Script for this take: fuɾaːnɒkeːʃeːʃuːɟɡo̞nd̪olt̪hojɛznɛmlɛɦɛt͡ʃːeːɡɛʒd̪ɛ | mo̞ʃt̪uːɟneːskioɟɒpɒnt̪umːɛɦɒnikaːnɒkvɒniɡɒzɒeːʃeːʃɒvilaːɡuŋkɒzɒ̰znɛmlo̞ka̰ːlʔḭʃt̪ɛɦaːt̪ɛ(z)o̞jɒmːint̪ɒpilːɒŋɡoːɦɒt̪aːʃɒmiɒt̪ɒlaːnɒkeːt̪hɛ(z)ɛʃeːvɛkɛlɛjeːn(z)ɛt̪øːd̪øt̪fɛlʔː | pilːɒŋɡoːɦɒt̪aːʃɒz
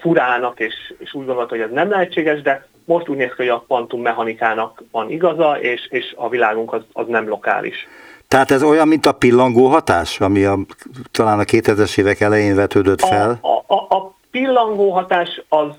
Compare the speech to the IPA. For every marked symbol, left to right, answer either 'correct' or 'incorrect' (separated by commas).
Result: correct, correct, incorrect